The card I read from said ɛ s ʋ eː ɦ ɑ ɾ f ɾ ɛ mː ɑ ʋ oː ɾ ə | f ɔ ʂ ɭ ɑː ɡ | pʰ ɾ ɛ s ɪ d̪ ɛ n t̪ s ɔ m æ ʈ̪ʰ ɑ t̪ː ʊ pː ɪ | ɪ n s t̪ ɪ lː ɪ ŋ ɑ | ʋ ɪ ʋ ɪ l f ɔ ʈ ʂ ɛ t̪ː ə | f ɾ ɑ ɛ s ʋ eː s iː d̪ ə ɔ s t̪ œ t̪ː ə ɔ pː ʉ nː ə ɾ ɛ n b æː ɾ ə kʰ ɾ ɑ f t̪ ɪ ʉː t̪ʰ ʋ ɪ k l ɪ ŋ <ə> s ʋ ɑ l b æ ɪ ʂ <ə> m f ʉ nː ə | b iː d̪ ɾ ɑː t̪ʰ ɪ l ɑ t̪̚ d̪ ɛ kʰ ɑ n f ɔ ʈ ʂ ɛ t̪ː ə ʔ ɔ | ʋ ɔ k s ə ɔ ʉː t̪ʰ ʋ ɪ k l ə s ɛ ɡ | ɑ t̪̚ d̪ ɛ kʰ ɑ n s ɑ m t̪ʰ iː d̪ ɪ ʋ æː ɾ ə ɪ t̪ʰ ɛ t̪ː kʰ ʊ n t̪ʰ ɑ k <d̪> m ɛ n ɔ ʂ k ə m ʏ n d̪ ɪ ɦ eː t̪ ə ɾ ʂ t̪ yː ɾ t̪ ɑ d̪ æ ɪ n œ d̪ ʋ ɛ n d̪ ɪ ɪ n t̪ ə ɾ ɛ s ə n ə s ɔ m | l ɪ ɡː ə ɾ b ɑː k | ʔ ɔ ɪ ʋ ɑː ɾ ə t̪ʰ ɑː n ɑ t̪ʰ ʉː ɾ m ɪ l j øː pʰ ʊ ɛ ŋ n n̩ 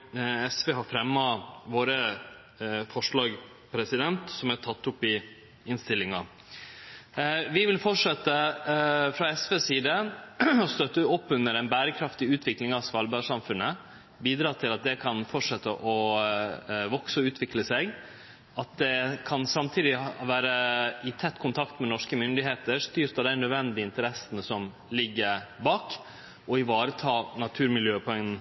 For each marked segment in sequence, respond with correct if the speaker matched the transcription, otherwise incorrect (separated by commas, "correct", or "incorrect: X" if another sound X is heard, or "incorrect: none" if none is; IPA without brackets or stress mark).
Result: incorrect: ɑ, incorrect: ɑ, incorrect: t̪